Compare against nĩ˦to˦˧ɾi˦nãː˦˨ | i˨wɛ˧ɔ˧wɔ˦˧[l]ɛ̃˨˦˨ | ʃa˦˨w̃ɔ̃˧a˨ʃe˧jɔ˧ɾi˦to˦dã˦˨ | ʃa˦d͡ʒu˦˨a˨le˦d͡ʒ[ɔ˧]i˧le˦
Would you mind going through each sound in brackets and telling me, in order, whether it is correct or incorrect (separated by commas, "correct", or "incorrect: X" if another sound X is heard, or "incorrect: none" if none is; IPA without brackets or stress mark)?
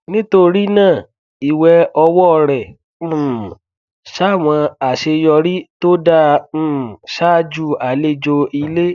incorrect: ɾ, incorrect: o˧